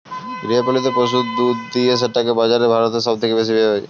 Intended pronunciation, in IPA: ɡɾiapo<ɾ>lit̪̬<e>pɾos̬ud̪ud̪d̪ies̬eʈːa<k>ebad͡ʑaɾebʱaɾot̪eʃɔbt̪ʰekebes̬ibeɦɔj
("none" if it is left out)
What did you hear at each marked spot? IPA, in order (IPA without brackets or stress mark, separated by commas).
none, e, k